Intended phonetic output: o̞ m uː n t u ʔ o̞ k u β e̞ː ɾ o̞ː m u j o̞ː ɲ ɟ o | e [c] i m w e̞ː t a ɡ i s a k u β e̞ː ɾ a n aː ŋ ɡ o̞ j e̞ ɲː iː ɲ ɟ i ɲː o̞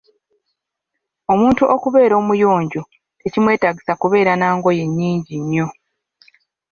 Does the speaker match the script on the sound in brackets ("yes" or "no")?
yes